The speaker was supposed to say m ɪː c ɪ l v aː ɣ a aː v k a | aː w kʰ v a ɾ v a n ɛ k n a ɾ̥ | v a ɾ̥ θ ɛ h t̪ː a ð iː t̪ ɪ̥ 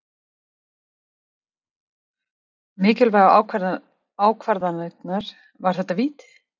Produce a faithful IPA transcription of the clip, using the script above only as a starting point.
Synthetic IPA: m ɪː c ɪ l v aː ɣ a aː w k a | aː w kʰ v a ɾ ð a n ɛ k n a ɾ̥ | v a ɾ̥ θ ɛ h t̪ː a v iː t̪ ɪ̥